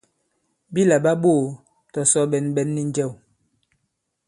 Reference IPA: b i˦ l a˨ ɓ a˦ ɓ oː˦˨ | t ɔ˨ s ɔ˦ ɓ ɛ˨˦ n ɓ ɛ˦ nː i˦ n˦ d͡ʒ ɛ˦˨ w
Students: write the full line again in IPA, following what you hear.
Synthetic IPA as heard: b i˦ l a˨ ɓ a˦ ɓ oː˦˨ | t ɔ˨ s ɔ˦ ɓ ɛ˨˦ n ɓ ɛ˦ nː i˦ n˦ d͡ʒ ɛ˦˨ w